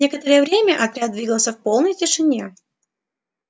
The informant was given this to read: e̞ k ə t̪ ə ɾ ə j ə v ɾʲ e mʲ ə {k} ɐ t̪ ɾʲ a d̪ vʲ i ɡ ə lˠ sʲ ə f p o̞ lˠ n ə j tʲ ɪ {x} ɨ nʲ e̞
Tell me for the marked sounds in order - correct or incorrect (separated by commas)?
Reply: incorrect, incorrect